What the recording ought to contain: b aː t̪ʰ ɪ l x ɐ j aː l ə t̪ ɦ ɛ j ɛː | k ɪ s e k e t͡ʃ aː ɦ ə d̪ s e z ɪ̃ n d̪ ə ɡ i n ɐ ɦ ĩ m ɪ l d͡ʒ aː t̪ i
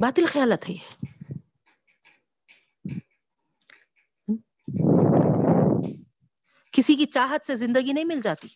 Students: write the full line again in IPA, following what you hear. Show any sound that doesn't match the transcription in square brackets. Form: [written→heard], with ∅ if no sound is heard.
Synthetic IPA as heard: b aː [t̪ʰ→t̪] ɪ l x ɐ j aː l ə t̪ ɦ ɛ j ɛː | k ɪ s [e→i] k [e→i] t͡ʃ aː ɦ ə [d̪→t̪] s e z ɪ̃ n d̪ ə ɡ i n ɐ ɦ ĩ m ɪ l d͡ʒ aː t̪ i